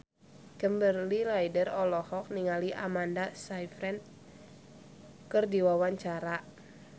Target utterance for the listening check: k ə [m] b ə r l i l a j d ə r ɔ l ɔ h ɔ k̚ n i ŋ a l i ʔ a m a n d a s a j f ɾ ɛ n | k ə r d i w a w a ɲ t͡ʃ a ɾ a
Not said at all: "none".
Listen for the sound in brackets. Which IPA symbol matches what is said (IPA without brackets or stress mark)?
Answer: m